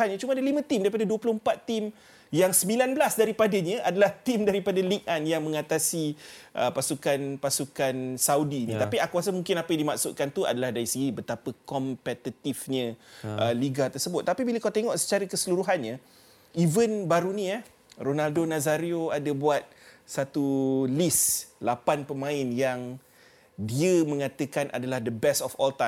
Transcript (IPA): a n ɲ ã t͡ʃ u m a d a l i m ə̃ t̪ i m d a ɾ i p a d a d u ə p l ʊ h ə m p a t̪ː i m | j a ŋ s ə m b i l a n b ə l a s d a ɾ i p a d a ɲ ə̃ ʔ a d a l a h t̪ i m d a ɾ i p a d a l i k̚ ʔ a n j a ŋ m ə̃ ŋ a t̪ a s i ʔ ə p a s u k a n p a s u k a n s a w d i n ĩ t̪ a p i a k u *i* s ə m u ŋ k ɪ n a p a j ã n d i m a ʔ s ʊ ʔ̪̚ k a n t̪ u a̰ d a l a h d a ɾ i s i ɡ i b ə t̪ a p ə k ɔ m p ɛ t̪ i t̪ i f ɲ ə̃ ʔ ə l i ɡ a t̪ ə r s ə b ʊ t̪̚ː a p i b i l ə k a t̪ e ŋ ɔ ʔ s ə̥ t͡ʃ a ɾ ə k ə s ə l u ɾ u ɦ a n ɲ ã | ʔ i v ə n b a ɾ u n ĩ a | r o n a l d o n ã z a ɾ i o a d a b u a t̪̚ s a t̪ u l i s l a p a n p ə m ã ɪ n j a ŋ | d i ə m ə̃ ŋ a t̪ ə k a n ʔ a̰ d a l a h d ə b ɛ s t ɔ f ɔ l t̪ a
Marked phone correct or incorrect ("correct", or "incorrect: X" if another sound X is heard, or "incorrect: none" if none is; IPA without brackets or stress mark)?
incorrect: a